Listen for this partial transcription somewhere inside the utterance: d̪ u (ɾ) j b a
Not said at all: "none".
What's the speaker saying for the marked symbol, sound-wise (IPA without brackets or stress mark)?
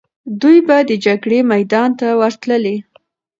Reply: none